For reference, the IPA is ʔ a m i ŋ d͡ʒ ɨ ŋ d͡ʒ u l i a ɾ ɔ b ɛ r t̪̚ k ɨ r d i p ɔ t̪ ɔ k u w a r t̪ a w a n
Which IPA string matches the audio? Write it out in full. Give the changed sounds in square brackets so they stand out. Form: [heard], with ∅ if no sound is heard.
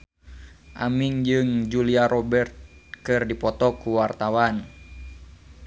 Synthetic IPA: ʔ a m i ŋ d͡ʒ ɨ ŋ d͡ʒ u l i a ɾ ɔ b ɛ r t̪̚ k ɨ r d i p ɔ t̪ ɔ k u w a r t̪ a w a n